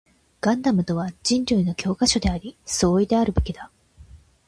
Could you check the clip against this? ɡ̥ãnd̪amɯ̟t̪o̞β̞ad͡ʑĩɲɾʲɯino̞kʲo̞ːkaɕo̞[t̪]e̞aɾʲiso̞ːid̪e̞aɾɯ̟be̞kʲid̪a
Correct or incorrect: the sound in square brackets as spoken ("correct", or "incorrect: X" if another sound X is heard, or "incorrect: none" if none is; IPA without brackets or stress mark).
incorrect: d̪